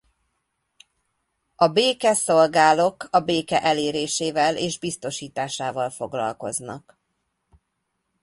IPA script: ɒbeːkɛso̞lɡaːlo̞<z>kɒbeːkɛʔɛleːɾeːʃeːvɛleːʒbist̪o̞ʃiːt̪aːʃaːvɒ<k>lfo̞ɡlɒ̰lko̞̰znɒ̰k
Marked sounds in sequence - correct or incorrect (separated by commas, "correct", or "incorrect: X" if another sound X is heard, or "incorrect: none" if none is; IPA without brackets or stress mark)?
incorrect: none, incorrect: none